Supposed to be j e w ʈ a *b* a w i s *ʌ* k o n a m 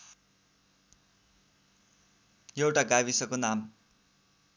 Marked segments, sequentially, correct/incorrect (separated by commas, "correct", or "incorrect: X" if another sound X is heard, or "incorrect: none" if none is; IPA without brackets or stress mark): incorrect: ɡ, correct